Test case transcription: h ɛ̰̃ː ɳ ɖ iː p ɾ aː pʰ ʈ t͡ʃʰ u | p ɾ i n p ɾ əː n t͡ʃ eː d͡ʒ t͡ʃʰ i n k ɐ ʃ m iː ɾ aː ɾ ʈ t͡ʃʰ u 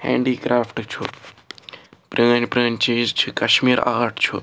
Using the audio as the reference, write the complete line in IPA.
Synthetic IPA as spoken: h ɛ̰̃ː ɳ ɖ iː k ɾ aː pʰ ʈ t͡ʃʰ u | p ɾ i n p ɾ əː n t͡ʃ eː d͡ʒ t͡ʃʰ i k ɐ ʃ m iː ɾ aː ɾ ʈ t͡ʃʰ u